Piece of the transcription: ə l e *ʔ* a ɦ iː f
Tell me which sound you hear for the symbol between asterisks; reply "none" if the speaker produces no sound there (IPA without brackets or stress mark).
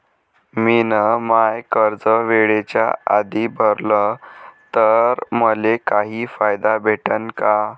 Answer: k